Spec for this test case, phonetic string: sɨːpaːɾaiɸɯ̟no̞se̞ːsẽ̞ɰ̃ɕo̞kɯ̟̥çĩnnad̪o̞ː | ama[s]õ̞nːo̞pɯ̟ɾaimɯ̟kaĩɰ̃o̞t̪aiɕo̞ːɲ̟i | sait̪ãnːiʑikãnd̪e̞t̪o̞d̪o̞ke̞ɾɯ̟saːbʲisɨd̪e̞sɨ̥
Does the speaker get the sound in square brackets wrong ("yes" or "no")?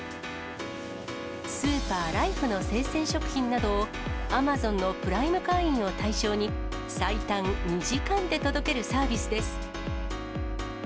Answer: yes